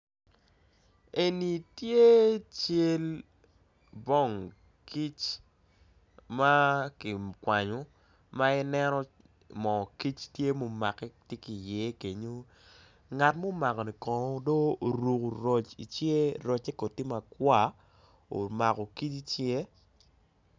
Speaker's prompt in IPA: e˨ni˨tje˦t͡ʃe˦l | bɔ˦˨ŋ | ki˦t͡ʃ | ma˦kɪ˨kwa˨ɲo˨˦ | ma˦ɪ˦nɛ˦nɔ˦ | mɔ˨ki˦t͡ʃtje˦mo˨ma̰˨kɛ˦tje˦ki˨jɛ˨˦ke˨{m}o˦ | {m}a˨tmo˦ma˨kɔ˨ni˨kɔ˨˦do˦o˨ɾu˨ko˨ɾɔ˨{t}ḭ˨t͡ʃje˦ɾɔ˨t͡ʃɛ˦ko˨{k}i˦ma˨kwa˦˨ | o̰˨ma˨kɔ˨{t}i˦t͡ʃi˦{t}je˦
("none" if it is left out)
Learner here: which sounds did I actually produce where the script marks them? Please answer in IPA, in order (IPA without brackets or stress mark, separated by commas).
ɲ, ŋ, t͡ʃ, t, k, t͡ʃ